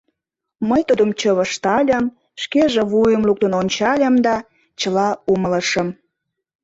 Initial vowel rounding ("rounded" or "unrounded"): unrounded